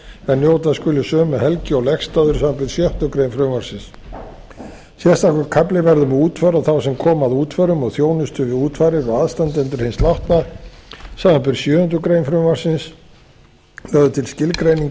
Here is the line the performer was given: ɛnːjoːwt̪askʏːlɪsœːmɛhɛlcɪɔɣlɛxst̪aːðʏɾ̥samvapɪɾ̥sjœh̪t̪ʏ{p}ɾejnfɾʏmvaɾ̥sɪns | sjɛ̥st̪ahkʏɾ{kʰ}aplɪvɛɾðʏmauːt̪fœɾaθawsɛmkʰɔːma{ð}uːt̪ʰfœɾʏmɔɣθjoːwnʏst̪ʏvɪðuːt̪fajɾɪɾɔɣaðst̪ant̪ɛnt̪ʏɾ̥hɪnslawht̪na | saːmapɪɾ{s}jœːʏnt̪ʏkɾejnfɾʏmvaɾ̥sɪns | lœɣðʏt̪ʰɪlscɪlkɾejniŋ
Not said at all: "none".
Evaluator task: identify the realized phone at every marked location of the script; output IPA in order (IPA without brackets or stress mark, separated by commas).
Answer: k, kʰ, ð, s